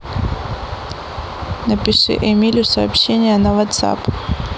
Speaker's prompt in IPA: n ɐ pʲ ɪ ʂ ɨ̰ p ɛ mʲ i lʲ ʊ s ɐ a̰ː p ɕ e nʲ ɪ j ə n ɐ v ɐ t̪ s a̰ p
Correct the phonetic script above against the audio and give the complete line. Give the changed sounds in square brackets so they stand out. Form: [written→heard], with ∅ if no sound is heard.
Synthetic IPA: n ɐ pʲ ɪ ʂ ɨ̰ [p→ʔ] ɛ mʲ i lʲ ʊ s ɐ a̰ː p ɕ e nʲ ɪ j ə n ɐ v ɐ t̪ s a̰ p